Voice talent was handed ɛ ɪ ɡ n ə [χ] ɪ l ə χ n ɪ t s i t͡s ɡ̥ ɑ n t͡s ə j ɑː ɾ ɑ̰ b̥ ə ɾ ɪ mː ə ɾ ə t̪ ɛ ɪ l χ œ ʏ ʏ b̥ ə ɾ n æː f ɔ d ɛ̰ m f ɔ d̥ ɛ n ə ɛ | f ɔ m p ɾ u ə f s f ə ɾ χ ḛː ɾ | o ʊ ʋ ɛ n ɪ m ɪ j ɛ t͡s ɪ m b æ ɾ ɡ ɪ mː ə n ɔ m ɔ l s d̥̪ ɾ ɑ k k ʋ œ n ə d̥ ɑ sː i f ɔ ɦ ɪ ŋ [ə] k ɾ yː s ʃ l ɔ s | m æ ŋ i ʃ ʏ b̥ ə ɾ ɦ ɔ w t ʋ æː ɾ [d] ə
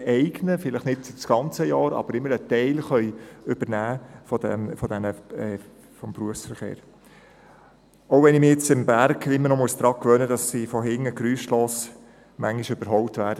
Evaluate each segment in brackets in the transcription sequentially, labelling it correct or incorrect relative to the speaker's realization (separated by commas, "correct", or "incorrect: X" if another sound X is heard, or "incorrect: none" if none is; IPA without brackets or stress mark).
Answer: incorrect: f, correct, correct